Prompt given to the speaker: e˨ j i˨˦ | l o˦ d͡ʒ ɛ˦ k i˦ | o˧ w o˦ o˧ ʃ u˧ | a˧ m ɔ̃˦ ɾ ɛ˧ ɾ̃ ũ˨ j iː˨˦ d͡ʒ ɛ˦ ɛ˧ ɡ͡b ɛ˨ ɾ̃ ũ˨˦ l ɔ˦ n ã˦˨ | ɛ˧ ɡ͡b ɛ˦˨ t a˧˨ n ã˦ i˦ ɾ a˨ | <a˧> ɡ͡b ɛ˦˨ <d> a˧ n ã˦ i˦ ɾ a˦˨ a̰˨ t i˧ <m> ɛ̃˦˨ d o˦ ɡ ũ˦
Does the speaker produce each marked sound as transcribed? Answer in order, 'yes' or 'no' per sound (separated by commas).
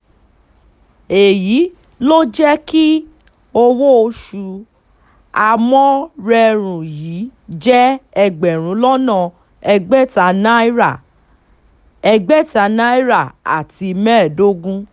no, no, yes